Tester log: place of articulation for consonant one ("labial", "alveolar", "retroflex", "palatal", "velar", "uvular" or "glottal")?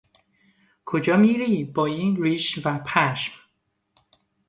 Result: velar